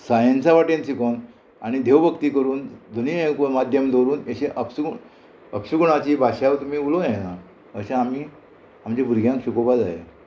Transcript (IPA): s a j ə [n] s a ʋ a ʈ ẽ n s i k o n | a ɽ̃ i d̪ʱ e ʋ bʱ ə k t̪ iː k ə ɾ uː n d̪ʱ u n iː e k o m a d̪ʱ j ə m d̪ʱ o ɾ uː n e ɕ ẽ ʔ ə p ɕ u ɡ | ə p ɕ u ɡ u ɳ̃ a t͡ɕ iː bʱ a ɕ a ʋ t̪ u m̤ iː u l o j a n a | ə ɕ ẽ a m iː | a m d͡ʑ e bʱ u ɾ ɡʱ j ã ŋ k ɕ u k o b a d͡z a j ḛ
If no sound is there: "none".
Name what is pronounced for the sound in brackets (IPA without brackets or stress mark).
n